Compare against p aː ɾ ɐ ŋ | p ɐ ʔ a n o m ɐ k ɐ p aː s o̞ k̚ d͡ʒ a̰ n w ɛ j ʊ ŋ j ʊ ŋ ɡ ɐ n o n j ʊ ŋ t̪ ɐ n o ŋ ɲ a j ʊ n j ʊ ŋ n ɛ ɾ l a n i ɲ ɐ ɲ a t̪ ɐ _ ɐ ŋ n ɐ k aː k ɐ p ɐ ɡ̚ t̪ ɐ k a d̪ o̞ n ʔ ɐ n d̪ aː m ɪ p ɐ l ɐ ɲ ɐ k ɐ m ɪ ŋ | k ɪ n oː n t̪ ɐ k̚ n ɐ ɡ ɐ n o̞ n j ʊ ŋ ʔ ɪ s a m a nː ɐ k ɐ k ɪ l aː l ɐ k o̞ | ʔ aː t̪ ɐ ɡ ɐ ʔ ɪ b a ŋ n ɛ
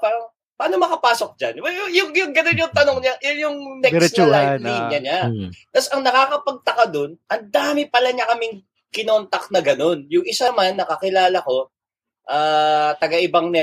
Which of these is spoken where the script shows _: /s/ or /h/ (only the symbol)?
s